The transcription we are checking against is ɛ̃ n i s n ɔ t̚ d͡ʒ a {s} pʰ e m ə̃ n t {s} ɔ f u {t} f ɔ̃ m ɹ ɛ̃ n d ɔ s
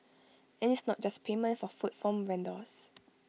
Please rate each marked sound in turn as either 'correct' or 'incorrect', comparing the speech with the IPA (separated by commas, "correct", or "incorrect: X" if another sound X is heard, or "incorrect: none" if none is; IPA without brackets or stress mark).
correct, incorrect: f, correct